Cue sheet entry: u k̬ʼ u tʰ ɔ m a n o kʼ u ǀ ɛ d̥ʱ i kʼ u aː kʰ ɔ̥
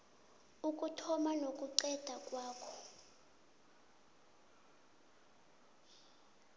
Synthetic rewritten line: u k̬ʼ u tʰ ɔ m a n o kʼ u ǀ ɛ d̥ʱ a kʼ w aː kʰ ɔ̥